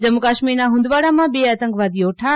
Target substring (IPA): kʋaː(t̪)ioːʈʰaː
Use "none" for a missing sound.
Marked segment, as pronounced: d̪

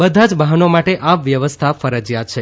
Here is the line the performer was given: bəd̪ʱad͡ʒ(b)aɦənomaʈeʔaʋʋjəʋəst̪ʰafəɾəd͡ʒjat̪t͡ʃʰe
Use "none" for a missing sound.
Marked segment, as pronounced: b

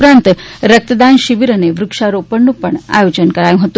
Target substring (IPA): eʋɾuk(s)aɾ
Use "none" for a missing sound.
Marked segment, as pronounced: ʂ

